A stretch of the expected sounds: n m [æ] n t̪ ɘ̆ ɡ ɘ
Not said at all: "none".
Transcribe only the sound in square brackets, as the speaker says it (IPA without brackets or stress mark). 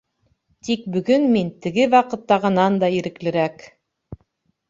i